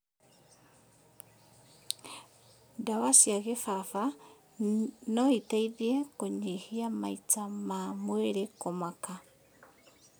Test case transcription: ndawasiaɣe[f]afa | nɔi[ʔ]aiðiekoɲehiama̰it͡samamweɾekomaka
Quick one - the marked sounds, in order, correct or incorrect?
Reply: correct, incorrect: t

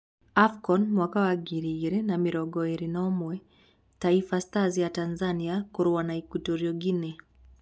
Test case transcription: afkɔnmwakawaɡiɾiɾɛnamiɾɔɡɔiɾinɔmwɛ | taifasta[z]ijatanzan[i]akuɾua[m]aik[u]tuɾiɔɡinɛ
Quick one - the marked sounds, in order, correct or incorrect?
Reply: correct, correct, incorrect: n, correct

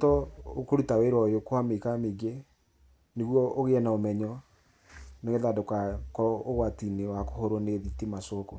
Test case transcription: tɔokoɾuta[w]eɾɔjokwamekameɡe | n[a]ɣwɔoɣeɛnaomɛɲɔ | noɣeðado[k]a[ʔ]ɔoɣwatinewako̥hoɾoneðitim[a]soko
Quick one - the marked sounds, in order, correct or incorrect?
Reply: correct, incorrect: e, correct, incorrect: k, correct

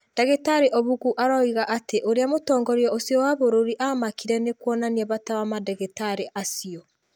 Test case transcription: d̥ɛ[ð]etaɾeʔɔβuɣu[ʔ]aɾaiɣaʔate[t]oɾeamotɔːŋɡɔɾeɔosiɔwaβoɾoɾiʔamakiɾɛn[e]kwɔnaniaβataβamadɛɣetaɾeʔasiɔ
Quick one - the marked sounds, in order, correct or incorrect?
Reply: incorrect: ɣ, correct, incorrect: ʔ, correct

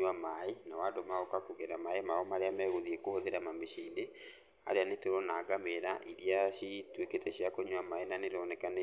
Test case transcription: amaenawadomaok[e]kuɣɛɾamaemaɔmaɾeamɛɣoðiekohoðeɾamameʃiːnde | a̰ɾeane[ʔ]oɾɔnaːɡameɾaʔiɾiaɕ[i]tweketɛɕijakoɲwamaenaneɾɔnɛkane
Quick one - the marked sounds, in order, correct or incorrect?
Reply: incorrect: a, incorrect: t, correct

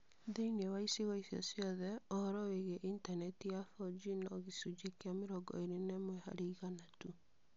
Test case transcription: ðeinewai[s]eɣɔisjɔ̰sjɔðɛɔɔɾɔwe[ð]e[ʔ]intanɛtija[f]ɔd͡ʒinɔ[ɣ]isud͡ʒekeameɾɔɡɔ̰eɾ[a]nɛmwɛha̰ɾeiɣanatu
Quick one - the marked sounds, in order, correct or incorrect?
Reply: correct, incorrect: ɣ, correct, correct, correct, incorrect: e

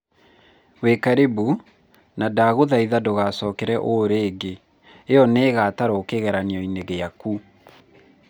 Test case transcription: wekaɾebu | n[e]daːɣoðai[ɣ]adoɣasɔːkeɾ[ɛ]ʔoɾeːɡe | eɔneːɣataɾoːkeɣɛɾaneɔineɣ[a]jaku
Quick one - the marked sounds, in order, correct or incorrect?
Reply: incorrect: a, incorrect: ð, correct, incorrect: e

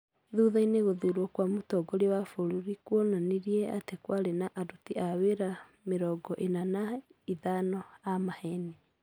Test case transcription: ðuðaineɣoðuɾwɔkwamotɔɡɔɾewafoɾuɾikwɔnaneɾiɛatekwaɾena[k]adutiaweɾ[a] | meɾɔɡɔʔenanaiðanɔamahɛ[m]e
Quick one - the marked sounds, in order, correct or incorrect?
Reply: incorrect: ʔ, correct, incorrect: n

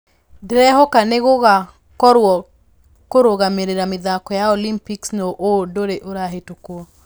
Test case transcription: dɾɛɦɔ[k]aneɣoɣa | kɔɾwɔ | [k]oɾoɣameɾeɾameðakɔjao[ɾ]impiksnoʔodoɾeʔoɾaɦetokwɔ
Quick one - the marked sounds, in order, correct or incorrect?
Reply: correct, correct, incorrect: l

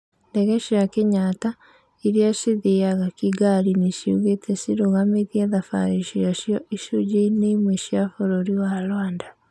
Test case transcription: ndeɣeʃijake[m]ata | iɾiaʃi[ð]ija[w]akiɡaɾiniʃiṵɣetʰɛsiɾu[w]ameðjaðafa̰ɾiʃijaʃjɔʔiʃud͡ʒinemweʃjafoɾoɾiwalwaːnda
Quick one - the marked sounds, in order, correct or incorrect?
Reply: incorrect: ɲ, correct, incorrect: ɣ, incorrect: ɣ

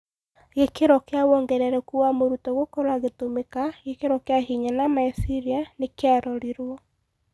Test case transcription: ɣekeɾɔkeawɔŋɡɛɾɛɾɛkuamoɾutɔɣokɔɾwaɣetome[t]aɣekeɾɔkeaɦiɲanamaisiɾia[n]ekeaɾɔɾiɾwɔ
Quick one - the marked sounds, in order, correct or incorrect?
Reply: incorrect: k, correct

